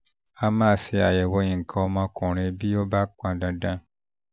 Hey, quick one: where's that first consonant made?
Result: lips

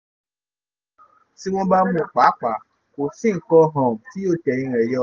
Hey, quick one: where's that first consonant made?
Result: tongue tip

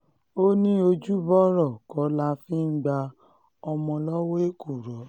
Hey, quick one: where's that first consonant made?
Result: tongue tip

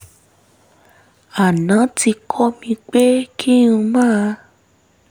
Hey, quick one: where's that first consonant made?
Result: tongue tip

